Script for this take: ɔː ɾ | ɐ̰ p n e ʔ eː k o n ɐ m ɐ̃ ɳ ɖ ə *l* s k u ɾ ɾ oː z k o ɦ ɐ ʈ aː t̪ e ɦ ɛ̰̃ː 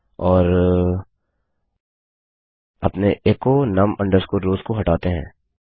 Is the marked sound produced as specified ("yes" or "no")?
no